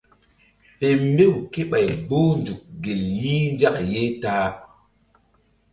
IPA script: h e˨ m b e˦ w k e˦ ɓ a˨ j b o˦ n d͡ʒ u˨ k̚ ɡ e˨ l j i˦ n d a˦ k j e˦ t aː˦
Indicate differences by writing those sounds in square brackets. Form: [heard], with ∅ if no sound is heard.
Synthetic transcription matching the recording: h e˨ m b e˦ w k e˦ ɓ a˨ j b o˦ n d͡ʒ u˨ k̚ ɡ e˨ l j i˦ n [d͡ʒ] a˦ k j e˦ t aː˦